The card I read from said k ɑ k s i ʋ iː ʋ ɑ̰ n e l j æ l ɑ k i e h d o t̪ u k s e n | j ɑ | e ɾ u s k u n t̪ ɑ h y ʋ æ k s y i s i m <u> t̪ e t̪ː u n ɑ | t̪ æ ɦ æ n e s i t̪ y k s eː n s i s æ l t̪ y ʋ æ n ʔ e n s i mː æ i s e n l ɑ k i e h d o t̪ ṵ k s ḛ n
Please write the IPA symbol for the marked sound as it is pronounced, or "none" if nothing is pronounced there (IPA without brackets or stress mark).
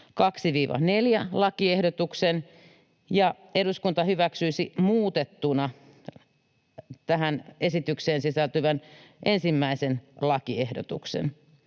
uː